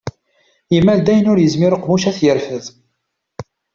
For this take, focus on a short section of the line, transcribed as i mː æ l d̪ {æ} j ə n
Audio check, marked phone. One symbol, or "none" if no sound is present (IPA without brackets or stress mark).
æ